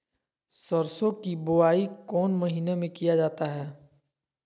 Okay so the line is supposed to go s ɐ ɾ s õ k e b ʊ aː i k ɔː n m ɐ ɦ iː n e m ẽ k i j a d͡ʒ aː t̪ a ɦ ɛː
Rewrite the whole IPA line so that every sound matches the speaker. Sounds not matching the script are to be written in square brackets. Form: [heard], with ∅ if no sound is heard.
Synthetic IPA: s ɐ ɾ s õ k [i] b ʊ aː i k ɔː n m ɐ ɦ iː n e m ẽ k i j a d͡ʒ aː t̪ a ɦ ɛː